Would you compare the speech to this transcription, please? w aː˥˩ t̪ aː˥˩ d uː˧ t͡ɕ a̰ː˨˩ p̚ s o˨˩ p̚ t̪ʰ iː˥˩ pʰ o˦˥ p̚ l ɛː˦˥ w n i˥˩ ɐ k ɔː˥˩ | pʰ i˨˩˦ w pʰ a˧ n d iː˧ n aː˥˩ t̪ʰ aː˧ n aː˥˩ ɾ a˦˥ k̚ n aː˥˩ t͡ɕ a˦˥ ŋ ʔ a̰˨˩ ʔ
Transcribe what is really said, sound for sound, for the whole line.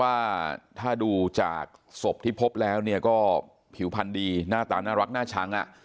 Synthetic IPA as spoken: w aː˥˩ t̪ʰ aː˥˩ d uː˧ t͡ɕ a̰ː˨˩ k̚ s o˨˩ p̚ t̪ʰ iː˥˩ pʰ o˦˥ p̚ l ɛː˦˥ w n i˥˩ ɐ k ɔː˥˩ | pʰ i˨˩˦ w pʰ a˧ n d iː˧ n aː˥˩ t̪ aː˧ n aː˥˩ ɾ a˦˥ k̚ n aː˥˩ t͡ɕʰ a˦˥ ŋ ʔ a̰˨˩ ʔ

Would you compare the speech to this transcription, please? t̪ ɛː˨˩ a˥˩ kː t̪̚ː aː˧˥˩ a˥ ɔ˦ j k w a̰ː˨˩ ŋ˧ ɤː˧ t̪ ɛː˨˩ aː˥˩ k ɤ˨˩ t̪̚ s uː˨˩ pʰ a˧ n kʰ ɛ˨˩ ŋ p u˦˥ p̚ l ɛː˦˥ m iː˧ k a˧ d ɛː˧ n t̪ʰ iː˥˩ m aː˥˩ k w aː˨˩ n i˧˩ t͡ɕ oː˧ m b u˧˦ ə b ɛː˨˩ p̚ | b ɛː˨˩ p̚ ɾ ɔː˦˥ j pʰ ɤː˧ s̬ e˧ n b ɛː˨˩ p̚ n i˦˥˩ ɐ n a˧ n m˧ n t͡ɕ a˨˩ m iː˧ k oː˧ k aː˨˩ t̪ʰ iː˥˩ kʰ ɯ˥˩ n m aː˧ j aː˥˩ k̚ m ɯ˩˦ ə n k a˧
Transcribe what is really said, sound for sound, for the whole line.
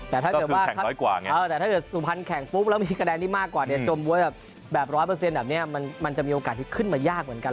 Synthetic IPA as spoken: t̪ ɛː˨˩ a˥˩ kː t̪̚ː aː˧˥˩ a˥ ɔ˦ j k w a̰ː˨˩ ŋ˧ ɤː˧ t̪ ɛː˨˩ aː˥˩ k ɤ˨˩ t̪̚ s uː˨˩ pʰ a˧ n kʰ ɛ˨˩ ŋ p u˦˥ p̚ l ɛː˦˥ m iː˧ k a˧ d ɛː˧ n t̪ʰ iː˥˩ m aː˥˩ k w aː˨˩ n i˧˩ t͡ɕ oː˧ m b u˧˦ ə b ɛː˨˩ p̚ | b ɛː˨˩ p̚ ɾ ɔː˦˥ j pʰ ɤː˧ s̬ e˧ n b ɛː˨˩ p̚ n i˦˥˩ ɐ m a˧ n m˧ n t͡ɕ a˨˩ m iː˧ ʔ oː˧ k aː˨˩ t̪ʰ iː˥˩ kʰ ɯ˥˩ n m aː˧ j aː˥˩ k̚ m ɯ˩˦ ə n k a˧

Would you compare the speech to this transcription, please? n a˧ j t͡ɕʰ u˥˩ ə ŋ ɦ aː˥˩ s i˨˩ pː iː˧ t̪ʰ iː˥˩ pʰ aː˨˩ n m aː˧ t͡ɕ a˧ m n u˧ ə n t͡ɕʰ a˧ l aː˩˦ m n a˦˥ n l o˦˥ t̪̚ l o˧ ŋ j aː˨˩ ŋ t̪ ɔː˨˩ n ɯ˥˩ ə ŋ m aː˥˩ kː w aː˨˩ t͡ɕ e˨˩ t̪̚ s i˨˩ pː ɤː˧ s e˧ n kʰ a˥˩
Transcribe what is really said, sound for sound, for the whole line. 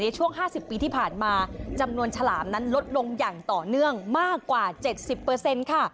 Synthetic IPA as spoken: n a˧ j t͡ɕʰ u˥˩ ə ŋ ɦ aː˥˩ s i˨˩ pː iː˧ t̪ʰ iː˥˩ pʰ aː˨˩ n m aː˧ t͡ɕ a˧ m n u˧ ə n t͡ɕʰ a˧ l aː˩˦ m n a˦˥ n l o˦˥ t̪̚ l o˧ ŋ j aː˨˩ ŋ t̪ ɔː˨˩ n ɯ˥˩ ə ŋ m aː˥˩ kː w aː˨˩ t͡ɕ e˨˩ t̪̚ s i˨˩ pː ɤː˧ s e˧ n kʰ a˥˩

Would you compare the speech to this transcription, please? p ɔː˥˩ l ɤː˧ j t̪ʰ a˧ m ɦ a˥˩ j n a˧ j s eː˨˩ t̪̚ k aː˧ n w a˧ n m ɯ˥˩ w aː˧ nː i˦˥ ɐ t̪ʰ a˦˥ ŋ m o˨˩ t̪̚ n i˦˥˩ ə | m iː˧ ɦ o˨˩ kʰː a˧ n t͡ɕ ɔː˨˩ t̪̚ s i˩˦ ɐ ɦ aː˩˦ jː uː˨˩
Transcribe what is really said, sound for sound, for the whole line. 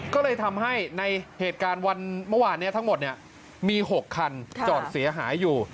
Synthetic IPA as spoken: k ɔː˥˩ l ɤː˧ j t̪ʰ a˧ m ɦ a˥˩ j n a˧ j h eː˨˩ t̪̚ k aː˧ n w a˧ n m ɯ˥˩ w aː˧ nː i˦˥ ɐ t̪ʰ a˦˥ ŋ m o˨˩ t̪̚ n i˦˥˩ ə | m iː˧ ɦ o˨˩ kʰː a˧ n t͡ɕ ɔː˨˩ t̪̚ s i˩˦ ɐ ɦ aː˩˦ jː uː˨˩

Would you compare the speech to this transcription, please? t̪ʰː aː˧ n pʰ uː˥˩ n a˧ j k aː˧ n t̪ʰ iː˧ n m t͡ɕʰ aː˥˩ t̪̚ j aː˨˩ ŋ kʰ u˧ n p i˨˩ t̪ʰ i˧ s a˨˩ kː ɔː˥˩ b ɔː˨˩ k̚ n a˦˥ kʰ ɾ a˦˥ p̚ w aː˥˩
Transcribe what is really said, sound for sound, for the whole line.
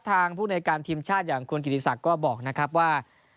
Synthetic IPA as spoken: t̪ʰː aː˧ ŋ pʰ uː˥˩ n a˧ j k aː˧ n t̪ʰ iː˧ m t͡ɕʰ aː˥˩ t̪̚ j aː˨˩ ŋ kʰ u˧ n k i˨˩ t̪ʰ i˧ s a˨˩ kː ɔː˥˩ b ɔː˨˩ k̚ n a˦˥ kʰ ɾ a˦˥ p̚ w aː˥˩

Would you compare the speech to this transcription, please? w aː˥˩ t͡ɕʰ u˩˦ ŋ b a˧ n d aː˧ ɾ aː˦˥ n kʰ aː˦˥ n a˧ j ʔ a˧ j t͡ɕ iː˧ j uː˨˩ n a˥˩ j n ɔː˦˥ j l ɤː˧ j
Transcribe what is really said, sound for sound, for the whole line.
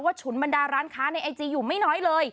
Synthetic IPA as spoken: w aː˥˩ t͡ɕʰ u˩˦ n b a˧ n d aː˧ ɾ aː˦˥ n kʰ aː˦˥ n a˧ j ʔ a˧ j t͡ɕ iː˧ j uː˨˩ m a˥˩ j n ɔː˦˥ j l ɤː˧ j

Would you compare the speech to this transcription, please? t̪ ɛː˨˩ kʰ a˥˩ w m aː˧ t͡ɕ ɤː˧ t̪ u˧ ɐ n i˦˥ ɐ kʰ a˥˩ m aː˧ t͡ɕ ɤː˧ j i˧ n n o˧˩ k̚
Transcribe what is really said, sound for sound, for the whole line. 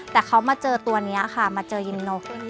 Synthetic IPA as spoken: t̪ ɛː˨˩ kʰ a˦˥ w m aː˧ t͡ɕ ɤː˧ t̪ u˧ ɐ n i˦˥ ɐ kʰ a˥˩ m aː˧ t͡ɕ ɤː˧ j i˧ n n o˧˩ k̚

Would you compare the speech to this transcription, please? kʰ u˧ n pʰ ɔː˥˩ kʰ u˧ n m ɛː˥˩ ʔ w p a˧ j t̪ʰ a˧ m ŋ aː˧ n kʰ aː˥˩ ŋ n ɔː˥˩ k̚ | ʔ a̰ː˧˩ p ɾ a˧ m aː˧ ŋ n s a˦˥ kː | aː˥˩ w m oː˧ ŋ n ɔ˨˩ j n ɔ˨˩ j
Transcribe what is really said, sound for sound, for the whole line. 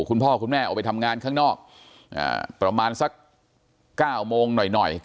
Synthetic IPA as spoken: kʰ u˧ n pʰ ɔː˥˩ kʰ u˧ n m ɛː˥˩ ʔ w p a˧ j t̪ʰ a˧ m ŋ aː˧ n kʰ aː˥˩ ŋ n ɔː˥˩ k̚ | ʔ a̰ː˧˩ p ɾ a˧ m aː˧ n s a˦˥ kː | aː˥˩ w m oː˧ ŋ n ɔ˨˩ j n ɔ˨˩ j

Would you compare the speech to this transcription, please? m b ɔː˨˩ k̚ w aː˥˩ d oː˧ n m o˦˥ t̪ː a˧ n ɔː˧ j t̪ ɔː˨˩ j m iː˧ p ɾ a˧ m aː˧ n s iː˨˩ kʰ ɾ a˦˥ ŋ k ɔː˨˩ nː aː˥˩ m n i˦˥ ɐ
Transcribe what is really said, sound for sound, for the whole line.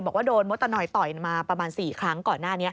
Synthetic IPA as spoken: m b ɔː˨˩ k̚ w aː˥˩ d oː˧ n m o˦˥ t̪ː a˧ n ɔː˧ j t̪ ɔ˨˩ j m aː˧ p ɾ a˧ m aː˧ n s iː˨˩ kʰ ɾ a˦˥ ŋ k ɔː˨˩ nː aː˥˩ n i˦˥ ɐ

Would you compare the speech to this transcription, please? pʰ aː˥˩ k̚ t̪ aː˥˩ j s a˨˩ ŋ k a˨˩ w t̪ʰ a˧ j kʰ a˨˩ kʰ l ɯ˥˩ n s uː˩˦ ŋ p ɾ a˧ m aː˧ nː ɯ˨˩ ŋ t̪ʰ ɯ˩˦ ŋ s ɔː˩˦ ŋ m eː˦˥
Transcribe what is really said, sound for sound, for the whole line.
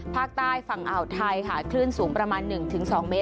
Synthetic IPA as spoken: pʰ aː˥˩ k̚ t̪ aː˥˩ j f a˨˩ ŋ ʔ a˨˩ w t̪ʰ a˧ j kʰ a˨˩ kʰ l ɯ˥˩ n s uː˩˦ ŋ p ɾ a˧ m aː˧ nː ɯ˨˩ ŋ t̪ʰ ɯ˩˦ ŋ s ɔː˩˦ ŋ m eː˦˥

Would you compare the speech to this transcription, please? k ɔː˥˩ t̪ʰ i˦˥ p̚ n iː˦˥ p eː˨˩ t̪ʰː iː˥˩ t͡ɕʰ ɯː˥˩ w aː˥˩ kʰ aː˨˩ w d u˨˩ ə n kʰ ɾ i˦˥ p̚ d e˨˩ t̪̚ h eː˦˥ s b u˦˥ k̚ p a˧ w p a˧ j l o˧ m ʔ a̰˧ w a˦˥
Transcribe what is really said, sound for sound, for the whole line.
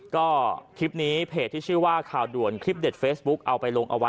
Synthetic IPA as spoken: k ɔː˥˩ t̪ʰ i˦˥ p̚ n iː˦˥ pʰ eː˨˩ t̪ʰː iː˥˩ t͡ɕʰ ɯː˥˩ w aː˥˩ kʰ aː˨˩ w d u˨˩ ə n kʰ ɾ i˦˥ p̚ d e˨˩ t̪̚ f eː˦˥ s b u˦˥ k̚ ʔ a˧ w p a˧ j l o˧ ŋ ʔ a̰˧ w a˦˥

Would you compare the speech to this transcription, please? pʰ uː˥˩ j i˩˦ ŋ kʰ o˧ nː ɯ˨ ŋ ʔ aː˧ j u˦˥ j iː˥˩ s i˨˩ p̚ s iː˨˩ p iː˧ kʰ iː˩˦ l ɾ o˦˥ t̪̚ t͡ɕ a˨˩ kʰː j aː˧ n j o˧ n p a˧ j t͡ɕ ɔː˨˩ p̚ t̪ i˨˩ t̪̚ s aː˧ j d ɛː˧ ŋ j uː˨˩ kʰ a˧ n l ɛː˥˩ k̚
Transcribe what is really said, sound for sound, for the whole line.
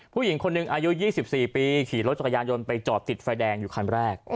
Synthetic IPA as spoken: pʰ uː˥˩ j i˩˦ ŋ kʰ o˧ nː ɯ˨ ŋ ʔ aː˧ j u˦˥ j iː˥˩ s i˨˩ p̚ s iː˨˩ p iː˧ kʰ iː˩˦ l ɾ o˦˥ t̪̚ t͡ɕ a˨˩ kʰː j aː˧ n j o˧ n p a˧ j t͡ɕ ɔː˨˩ p̚ t̪ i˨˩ t̪̚ f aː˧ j d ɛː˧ ŋ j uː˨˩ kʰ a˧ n ɾ ɛː˥˩ k̚

